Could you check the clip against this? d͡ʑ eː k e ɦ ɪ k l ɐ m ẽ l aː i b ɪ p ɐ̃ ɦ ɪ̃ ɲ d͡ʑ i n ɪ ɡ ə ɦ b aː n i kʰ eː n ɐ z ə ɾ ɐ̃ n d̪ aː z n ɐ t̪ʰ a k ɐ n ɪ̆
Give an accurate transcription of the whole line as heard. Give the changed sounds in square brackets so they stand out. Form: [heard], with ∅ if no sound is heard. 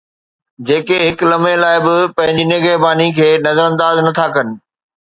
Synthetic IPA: d͡ʑ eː k e ɦ ɪ k l ɐ m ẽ l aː [ɪ] b ɪ p ɐ̃ ɦ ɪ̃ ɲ d͡ʑ i n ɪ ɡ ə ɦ b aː n i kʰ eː n ɐ z ə ɾ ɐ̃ n d̪ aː z n ɐ t̪ʰ a k ɐ n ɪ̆